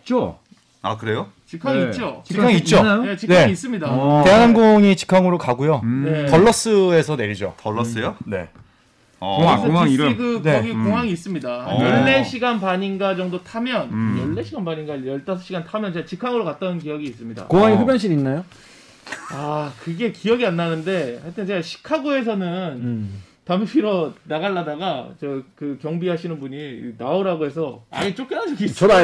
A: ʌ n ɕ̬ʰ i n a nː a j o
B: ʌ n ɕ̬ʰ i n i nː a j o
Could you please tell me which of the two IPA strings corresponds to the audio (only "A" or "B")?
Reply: B